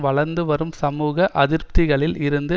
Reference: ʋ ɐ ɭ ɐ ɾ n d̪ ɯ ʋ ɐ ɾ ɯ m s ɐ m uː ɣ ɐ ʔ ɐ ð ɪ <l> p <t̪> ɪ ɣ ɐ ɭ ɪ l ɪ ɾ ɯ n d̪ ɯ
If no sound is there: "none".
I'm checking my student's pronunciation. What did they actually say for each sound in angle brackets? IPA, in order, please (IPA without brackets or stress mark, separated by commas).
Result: ɾ, t̪